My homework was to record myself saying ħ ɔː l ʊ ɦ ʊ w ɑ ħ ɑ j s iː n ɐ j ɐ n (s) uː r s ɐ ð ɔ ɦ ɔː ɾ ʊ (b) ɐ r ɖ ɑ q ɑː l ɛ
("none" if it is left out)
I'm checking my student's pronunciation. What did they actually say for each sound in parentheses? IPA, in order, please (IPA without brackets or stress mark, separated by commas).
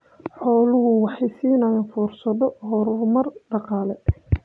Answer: f, m